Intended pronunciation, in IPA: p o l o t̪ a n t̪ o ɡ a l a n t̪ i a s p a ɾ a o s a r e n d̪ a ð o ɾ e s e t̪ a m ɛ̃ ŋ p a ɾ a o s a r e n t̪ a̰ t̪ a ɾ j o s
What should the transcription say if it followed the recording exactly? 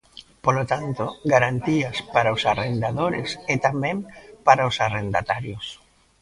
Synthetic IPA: p o l o t̪ a n t̪ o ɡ a ɾ a n t̪ i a s p a ɾ a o s a r e n d̪ a ð o ɾ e s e t̪ a m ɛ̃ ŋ p a ɾ a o s a r e n d̪ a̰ t̪ a ɾ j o s